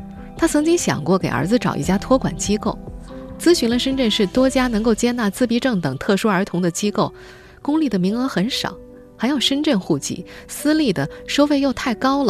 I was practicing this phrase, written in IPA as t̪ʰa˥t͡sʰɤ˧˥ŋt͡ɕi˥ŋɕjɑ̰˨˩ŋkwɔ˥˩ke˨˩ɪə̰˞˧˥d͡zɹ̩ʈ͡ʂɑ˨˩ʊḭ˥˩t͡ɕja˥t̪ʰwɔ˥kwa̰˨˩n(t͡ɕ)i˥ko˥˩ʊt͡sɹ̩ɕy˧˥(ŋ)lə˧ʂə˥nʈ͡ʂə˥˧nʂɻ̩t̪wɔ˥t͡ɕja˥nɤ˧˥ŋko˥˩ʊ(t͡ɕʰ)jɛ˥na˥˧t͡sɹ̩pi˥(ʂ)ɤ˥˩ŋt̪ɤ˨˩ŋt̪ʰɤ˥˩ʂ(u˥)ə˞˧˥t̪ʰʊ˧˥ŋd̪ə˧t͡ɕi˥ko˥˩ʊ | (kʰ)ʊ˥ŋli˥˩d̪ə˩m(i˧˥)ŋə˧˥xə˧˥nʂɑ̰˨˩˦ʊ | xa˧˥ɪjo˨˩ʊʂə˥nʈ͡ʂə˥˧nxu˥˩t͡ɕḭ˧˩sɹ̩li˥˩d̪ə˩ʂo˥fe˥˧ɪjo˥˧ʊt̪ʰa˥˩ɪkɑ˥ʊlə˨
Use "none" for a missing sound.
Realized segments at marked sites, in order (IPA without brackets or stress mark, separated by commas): t͡ɕ, n, t͡ɕ, ʈ͡ʂ, u˥, k, i˧˥